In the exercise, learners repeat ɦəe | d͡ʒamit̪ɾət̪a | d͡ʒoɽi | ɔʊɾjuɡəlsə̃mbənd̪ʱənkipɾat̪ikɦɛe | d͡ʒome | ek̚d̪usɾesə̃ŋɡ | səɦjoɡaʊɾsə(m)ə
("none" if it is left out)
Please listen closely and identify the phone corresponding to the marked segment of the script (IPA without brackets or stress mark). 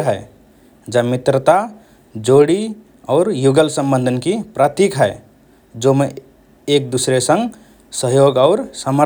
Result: m